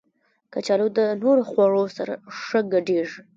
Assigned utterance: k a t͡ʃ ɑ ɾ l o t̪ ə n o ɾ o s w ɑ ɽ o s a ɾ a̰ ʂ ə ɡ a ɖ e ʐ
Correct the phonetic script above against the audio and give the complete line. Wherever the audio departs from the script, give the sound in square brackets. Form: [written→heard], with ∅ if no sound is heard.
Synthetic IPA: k a t͡ʃ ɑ [ɾ→∅] l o [t̪→d̪] ə n o ɾ o [s→x] w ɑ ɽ o s a ɾ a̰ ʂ ə ɡ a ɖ e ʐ

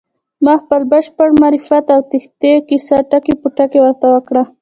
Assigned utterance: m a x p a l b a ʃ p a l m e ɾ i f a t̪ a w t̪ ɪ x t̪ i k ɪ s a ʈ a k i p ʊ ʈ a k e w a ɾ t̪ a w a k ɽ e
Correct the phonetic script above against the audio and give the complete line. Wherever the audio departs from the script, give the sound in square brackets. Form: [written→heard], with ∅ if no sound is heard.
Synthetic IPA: m a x p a l b a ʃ p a [l→ɽ] m [e→a] ɾ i f a t̪ a w t̪ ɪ x t̪ [i→e] k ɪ s a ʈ a k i p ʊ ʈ a k e w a ɾ t̪ a w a k ɽ [e→a]

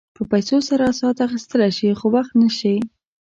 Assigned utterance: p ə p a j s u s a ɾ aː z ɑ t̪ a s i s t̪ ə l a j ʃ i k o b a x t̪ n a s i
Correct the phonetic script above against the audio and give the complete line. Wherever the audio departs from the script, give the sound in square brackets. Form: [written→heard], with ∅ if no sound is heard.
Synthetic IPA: p ə p a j s [u→o] s a ɾ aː [z→s] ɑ t̪ a [s→x] i s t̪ ə l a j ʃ i [k→x] o [b→w] a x t̪ n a [s→ʃ] i

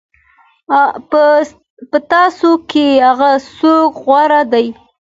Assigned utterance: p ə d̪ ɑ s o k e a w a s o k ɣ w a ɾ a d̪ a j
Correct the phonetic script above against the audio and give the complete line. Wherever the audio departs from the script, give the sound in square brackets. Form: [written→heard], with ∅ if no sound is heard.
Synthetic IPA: p ə [d̪→t̪] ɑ s o k e a [w→ɣ] a s o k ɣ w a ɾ a d̪ a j

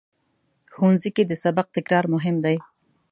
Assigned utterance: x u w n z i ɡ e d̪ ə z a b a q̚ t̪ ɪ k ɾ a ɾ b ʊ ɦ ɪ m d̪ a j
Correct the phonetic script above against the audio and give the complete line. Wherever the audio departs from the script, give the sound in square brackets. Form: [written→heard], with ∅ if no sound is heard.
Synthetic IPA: x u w n z i [ɡ→k] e d̪ ə [z→s] a b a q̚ t̪ ɪ k ɾ [a→ɑ] ɾ [b→m] ʊ ɦ ɪ m d̪ a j

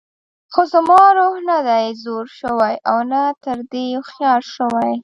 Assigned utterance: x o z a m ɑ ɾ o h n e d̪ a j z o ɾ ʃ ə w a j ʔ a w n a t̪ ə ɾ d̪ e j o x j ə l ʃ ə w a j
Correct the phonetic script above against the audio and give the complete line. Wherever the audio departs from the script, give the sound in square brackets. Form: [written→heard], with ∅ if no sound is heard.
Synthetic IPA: x o z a m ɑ ɾ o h n [e→a] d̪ a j z o ɾ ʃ ə w a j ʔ a w n a t̪ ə ɾ d̪ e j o x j [ə→ɑ] l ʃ ə w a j

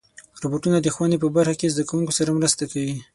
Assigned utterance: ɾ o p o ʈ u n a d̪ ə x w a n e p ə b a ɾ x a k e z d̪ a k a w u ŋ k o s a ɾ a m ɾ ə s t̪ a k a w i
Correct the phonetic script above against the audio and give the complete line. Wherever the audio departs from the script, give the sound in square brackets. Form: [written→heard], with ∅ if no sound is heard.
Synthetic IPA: ɾ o [p→b] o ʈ u n a d̪ ə x w a n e p ə b a ɾ x a k e z d̪ a k a w u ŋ k o s a ɾ a m ɾ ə s t̪ a k a w i

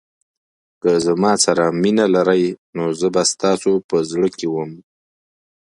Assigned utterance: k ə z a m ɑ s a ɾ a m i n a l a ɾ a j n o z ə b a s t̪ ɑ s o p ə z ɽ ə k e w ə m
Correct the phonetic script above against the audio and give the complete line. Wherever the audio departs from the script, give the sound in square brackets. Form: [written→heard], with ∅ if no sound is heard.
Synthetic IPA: k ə z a m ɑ s a ɾ a m i n a l a ɾ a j n o z ə b a s t̪ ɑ s o p ə z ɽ ə k e w ə m

